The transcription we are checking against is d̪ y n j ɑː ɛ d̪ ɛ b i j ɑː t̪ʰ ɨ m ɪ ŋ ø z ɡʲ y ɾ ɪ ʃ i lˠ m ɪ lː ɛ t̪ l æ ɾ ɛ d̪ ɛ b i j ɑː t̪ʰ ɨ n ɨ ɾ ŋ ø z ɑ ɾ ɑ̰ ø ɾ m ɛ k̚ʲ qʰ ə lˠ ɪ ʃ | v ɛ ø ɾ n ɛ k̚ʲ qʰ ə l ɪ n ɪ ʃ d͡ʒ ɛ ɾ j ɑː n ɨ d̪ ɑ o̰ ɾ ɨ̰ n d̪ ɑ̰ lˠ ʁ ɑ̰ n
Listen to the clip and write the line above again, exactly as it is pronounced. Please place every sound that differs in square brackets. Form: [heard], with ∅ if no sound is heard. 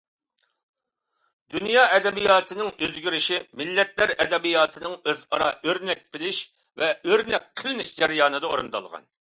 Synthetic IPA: d̪ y n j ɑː ɛ d̪ ɛ b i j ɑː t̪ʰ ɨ [n] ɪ ŋ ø z ɡʲ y ɾ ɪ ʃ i [∅] m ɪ lː ɛ t̪ l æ ɾ ɛ d̪ ɛ b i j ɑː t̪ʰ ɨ n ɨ [∅] ŋ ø z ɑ ɾ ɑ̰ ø ɾ [n] ɛ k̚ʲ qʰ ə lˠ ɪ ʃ | v ɛ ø ɾ n ɛ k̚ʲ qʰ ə l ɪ n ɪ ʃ d͡ʒ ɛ ɾ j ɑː n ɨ d̪ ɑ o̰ ɾ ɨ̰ n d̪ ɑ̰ lˠ ʁ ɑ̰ n